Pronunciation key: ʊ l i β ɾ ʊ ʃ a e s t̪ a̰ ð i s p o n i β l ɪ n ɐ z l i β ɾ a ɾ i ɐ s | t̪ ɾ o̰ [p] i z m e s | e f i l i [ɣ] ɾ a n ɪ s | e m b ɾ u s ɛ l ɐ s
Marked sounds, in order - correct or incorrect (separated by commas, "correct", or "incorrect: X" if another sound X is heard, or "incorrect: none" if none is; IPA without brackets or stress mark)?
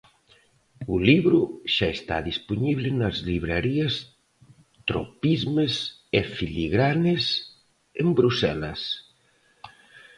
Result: correct, correct